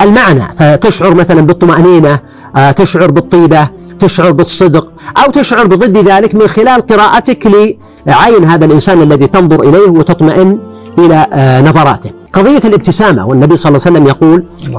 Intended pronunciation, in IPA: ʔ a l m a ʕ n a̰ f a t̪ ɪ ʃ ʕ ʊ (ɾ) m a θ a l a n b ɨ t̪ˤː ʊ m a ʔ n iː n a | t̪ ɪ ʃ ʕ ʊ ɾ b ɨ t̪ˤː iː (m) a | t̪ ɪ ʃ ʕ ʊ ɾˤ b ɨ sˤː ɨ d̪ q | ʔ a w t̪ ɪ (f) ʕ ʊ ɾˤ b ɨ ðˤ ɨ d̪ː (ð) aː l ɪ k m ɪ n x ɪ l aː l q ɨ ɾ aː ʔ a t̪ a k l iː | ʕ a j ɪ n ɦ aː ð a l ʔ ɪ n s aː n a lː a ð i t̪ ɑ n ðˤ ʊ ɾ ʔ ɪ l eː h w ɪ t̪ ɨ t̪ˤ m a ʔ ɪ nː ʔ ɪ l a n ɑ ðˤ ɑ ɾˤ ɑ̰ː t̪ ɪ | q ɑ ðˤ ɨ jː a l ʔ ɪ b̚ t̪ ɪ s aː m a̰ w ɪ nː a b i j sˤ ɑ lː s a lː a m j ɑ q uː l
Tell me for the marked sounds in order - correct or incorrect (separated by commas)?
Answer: correct, incorrect, incorrect, correct